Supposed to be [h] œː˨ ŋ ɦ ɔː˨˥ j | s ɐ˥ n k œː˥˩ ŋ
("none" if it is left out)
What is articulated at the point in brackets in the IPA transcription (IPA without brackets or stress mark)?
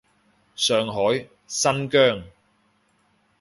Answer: s